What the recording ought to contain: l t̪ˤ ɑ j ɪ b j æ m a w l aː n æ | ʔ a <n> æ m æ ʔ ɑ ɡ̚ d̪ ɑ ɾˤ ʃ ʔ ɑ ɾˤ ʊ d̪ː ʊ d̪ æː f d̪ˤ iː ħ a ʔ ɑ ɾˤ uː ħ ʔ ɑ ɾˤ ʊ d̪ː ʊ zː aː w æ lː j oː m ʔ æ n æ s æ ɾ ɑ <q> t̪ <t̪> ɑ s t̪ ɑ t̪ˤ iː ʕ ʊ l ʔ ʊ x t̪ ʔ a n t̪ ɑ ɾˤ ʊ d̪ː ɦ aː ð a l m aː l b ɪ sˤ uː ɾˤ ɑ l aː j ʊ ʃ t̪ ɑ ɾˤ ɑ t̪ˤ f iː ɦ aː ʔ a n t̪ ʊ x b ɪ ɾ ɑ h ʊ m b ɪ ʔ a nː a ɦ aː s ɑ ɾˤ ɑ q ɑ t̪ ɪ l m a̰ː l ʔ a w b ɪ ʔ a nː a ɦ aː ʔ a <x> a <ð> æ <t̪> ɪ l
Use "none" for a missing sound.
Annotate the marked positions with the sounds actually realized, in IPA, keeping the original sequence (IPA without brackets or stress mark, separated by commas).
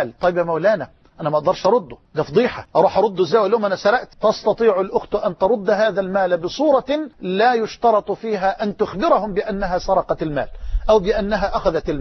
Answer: n, ʔ, t̪, x, ð, t̪